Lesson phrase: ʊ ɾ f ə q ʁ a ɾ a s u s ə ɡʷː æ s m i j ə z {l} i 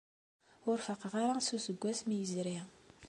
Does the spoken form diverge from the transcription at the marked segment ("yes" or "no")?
yes